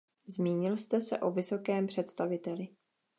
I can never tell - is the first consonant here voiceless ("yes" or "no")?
no